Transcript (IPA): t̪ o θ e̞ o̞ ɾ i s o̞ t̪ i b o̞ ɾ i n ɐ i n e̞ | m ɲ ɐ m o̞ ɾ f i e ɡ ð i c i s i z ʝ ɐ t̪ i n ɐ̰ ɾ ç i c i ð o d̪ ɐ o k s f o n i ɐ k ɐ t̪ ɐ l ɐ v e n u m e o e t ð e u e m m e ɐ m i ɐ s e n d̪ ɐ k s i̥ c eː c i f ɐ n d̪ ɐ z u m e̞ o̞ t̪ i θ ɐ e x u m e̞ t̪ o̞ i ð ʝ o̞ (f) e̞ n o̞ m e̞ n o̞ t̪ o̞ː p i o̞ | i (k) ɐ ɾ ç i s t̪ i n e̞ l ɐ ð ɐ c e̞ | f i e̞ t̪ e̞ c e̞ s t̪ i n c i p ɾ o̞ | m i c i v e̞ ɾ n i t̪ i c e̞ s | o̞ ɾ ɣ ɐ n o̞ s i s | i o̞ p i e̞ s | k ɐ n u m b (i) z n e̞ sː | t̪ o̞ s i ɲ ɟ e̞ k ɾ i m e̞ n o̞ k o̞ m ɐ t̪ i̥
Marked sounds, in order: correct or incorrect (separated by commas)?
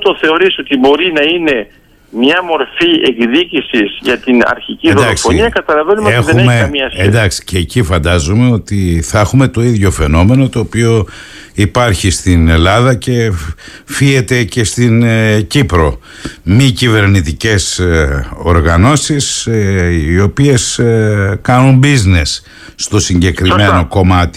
correct, incorrect, correct